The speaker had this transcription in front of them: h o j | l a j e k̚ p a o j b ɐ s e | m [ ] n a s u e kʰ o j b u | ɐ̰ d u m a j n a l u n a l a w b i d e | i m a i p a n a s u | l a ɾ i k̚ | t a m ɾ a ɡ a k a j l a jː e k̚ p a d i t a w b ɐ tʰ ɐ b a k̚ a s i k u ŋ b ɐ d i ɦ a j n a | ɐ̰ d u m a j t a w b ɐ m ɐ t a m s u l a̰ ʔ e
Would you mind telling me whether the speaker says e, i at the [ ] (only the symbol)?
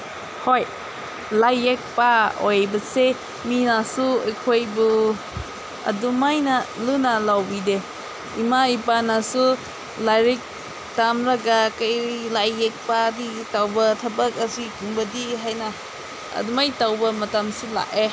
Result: i